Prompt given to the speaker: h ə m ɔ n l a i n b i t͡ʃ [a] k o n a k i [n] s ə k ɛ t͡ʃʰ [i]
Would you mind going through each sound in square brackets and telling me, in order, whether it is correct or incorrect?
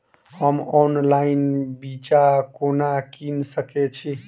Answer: correct, correct, correct

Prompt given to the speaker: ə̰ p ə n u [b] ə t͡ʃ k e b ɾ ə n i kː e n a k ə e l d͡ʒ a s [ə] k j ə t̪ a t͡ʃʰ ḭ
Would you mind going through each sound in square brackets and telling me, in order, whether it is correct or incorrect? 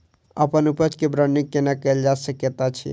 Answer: incorrect: p, correct

